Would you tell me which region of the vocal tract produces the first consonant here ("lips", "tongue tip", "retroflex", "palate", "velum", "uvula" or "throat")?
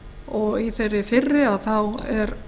velum